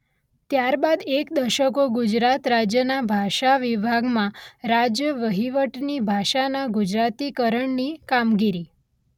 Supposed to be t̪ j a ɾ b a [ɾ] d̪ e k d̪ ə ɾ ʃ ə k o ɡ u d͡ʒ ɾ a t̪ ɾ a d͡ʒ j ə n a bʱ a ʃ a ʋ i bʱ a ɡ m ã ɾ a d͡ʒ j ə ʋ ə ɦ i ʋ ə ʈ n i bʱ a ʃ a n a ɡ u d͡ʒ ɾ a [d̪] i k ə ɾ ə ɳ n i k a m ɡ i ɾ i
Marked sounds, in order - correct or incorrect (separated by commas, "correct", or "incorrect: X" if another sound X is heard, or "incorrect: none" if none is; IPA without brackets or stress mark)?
incorrect: none, incorrect: t̪